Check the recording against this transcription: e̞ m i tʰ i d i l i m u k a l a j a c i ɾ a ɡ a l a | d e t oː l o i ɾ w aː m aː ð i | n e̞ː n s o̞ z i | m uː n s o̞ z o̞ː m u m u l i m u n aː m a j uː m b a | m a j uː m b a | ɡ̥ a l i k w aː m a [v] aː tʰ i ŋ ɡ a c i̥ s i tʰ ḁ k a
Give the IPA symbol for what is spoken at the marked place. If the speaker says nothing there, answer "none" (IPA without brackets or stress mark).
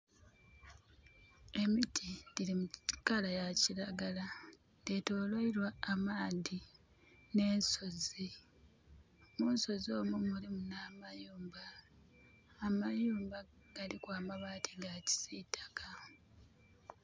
β